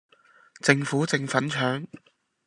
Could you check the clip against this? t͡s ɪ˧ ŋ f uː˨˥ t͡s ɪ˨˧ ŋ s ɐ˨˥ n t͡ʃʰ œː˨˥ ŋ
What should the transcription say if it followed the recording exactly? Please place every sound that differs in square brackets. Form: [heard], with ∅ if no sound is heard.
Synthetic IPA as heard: t͡s ɪ˧ ŋ f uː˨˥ t͡s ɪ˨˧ ŋ [f] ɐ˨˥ n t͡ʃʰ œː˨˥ ŋ

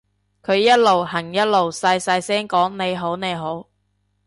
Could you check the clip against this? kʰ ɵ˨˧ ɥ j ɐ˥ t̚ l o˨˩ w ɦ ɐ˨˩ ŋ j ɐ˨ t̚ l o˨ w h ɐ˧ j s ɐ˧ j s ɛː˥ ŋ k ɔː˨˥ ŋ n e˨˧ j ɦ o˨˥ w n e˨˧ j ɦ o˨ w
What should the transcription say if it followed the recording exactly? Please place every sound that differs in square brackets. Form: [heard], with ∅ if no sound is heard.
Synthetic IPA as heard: kʰ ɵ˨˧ ɥ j ɐ˥ t̚ l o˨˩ w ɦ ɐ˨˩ ŋ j [ɐ˥] t̚ l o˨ w [s] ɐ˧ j s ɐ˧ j s ɛː˥ ŋ k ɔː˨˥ ŋ n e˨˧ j ɦ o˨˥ w n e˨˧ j ɦ [o˨˥] w

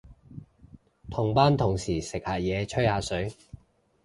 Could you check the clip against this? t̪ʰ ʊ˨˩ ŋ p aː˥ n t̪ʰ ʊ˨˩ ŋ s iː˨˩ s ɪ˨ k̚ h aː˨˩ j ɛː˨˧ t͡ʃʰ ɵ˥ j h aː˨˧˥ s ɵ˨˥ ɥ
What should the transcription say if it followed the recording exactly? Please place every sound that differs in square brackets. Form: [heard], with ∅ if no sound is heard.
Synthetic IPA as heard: t̪ʰ ʊ˨˩ ŋ p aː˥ n t̪ʰ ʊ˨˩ ŋ s iː˨˩ s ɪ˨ k̚ h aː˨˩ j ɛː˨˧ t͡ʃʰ ɵ˥ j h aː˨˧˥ s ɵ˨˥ ɥ

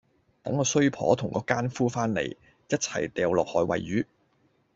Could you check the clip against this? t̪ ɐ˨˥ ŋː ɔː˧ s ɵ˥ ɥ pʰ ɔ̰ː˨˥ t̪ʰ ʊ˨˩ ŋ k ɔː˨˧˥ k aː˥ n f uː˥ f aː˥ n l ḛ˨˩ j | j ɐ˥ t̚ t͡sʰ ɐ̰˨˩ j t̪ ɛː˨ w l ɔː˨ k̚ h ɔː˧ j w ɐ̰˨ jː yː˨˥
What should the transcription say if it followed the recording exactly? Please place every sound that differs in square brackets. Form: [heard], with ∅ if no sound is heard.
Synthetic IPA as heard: t̪ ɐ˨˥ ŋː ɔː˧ s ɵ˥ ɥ pʰ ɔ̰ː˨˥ t̪ʰ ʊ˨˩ ŋ k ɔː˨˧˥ k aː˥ n f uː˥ f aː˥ n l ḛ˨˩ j | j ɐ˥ t̚ t͡sʰ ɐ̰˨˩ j t̪ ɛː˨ w l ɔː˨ k̚ h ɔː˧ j w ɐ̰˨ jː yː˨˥

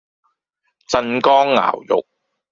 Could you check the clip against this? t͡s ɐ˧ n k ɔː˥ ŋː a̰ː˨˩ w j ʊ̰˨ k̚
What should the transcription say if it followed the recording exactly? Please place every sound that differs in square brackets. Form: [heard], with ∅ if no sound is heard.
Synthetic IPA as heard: t͡s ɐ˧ n k ɔː˥ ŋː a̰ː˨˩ w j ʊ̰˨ k̚

